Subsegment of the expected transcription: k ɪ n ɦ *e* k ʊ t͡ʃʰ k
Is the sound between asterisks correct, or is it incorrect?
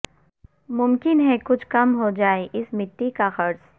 incorrect